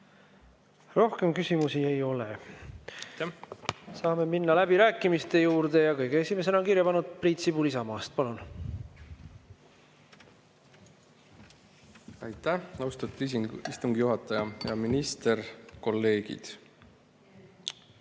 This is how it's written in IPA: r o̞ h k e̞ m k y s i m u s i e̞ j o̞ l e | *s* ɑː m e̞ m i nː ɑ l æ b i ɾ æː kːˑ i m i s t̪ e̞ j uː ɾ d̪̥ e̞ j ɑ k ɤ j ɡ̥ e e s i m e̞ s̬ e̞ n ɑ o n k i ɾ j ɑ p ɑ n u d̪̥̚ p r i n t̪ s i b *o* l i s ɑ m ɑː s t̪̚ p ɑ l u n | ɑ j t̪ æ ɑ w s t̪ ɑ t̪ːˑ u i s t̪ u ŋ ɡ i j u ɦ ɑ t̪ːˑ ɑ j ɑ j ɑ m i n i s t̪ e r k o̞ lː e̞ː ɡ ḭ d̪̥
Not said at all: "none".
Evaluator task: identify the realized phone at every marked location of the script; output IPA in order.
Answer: s, u

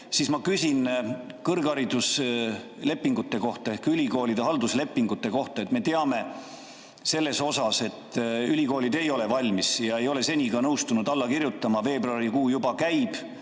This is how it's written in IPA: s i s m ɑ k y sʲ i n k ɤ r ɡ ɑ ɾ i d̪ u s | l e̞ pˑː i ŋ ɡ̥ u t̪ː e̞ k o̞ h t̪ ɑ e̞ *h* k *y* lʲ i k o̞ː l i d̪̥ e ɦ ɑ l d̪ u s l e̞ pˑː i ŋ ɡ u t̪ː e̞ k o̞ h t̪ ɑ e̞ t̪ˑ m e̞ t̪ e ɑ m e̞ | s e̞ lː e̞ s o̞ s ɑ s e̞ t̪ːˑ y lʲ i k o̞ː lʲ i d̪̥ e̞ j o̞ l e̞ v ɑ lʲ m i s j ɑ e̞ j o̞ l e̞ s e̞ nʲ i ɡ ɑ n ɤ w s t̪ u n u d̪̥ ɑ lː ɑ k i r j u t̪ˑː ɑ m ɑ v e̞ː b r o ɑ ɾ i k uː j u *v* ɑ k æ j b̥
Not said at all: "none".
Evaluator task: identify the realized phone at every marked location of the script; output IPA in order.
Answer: h, y, b

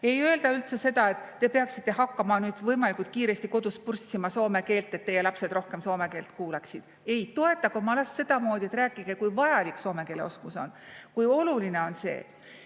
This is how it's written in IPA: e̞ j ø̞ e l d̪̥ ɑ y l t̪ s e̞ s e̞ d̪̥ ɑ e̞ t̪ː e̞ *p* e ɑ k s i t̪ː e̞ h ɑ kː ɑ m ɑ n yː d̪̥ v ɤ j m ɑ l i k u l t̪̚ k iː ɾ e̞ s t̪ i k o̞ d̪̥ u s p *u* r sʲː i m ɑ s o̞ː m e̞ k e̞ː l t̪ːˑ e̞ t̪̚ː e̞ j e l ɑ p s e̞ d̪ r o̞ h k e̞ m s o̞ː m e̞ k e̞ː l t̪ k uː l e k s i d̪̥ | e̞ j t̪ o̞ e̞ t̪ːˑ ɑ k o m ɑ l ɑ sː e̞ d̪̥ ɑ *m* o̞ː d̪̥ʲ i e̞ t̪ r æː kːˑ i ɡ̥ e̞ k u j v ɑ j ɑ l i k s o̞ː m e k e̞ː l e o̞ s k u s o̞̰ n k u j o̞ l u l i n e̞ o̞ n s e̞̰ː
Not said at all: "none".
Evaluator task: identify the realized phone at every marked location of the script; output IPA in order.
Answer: p, u, m

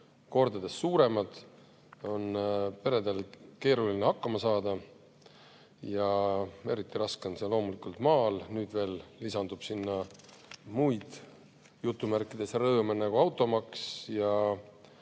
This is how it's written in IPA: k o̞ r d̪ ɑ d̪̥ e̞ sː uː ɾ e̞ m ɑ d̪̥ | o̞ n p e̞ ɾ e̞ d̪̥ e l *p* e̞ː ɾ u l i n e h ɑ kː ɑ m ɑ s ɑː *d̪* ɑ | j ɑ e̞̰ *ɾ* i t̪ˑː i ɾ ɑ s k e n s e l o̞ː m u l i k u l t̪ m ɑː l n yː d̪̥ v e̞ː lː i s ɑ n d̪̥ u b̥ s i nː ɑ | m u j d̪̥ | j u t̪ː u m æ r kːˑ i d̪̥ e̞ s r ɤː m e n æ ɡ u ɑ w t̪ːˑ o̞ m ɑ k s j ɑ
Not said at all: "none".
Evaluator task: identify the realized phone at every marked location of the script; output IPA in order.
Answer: k, d̪, ɾ

